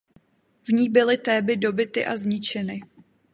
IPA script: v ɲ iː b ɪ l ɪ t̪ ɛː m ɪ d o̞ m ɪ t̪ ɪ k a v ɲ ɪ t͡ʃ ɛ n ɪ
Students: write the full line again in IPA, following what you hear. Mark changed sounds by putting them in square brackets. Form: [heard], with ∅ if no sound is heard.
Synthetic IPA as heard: v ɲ iː b ɪ l ɪ t̪ ɛː [b] ɪ d o̞ [b] ɪ t̪ ɪ [ʔ] a [z] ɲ ɪ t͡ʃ ɛ n ɪ